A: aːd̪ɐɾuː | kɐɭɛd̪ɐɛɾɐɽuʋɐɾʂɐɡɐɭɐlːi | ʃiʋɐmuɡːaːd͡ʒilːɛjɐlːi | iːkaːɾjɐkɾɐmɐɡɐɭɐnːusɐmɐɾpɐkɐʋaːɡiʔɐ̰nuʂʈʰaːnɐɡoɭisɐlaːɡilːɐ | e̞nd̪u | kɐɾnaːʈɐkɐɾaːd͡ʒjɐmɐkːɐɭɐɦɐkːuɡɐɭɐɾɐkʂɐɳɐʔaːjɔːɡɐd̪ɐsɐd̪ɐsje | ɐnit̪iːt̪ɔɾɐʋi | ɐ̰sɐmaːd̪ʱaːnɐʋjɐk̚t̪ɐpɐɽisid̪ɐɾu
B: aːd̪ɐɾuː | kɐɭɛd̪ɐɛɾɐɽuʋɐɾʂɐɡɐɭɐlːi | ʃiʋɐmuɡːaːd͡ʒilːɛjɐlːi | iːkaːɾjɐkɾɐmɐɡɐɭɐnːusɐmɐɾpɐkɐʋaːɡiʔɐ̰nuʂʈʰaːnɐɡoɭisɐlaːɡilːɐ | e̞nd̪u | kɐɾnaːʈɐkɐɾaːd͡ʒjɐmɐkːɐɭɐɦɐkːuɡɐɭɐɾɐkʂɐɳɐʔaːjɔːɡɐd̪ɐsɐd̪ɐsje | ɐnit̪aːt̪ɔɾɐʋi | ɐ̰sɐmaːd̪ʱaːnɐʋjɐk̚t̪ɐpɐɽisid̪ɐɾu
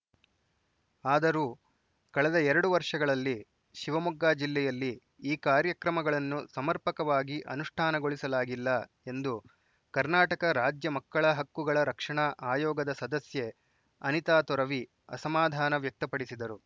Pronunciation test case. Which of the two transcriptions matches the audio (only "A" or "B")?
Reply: B